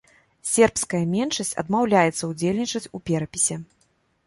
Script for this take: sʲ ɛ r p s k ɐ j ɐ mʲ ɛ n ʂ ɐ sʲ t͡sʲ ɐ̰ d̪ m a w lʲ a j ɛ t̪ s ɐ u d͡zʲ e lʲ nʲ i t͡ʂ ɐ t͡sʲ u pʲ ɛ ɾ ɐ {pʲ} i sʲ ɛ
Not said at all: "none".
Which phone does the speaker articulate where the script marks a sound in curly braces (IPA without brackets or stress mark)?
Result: pʲ